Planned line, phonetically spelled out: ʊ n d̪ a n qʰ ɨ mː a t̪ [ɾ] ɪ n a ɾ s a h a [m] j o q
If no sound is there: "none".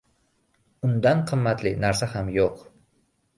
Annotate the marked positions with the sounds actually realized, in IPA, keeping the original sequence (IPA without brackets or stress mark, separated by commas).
l, m